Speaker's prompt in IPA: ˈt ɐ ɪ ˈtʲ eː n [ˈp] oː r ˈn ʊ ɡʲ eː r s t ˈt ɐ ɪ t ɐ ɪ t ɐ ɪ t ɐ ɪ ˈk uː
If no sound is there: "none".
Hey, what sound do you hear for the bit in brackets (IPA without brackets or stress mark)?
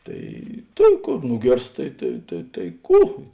k